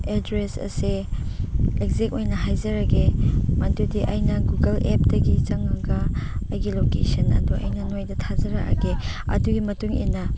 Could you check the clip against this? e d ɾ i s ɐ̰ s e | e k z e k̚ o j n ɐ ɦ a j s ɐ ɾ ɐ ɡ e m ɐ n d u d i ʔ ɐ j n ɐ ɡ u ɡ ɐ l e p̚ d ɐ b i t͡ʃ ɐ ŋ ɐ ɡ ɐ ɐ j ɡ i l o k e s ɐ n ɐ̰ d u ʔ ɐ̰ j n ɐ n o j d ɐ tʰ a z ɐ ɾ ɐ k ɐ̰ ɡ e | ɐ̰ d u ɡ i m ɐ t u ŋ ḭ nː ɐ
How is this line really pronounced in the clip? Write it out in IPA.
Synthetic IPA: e d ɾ e s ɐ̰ s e | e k z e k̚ o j n ɐ ɦ a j z ɐ ɾ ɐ ɡ e m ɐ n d u d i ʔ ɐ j n ɐ ɡ u ɡ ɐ l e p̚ d ɐ ɡ i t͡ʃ ɐ ŋ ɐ ɡ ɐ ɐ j ɡ i l o k e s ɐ n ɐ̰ d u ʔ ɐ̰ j n ɐ n o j d ɐ tʰ a z ɐ ɾ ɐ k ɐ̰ ɡ e | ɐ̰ d u ɡ i m ɐ t u ŋ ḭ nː ɐ